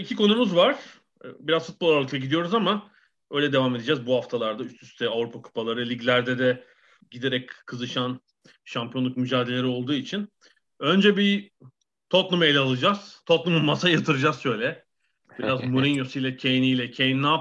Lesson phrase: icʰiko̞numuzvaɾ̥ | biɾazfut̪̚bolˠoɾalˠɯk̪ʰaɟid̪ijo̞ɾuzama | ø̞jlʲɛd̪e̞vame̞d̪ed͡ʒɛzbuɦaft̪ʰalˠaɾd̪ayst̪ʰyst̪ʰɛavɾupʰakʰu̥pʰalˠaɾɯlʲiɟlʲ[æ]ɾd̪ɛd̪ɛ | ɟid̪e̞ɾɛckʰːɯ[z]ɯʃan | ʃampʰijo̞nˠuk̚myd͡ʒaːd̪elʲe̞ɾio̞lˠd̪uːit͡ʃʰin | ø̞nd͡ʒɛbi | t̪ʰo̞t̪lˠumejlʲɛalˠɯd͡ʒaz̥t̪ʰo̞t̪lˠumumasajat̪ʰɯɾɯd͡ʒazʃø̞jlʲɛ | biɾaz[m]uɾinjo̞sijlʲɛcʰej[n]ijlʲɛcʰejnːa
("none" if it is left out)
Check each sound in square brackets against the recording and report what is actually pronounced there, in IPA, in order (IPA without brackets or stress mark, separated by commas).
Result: æ, z, m, n